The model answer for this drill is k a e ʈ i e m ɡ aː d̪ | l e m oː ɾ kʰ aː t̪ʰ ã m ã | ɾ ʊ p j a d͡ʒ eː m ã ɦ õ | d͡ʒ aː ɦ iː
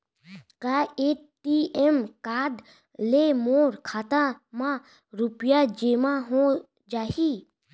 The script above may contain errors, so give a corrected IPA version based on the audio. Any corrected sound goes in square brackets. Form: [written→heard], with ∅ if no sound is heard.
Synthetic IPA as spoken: k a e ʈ i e m [ɡ→k] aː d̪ | l e m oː ɾ kʰ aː [t̪ʰ→t̪] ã m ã | ɾ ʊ p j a d͡ʒ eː m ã ɦ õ | d͡ʒ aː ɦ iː